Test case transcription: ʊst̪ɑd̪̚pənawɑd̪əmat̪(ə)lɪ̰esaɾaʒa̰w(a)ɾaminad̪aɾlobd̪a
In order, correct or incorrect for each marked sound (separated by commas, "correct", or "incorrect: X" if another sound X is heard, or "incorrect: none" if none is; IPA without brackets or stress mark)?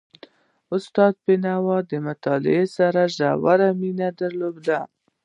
incorrect: ɑ, correct